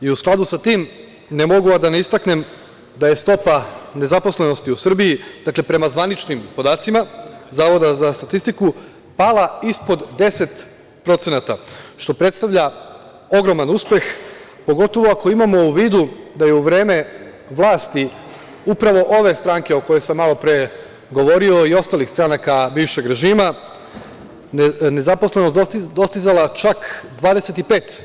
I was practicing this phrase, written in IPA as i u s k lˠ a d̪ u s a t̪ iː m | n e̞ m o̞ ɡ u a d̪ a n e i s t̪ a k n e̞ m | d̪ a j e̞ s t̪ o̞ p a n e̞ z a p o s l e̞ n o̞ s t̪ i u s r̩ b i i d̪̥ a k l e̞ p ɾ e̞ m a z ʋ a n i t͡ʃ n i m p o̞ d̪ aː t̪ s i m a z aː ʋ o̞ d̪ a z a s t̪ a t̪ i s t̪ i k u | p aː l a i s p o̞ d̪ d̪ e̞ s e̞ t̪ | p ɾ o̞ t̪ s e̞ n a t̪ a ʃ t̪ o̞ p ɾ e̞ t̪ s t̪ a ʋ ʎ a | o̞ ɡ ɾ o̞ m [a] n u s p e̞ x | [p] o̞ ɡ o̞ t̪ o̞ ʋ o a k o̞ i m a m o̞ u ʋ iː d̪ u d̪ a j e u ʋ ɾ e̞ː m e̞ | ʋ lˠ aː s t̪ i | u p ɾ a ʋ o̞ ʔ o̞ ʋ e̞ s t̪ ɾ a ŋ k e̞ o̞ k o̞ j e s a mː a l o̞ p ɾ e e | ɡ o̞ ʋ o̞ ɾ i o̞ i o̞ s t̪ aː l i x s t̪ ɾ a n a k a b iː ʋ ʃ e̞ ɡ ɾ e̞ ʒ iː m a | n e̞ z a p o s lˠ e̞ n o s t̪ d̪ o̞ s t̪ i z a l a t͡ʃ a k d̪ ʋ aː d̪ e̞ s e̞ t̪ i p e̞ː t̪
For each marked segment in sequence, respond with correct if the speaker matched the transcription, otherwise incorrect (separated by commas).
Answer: correct, correct